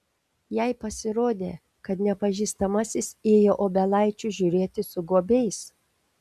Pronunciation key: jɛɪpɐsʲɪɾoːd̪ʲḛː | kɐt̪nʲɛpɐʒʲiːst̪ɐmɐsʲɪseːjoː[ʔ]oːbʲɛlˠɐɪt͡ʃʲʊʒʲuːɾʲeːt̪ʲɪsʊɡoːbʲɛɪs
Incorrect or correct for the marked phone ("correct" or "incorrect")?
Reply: correct